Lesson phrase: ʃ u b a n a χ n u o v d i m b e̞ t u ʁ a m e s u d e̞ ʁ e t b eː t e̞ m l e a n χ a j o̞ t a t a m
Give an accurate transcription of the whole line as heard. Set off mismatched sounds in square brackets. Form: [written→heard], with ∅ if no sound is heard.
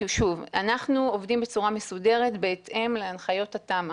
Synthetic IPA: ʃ u [b→v] a n a χ n u o v d i m b e̞ [t→t͡s] u ʁ a m e s u d e̞ ʁ e t b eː t e̞ m l e a n χ a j o̞ t a t a m